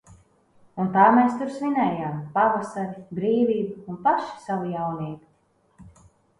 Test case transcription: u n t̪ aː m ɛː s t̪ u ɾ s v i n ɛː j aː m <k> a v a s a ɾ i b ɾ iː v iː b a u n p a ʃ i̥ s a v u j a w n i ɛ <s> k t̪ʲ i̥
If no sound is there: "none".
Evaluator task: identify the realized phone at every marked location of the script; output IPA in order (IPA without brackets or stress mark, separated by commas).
p, none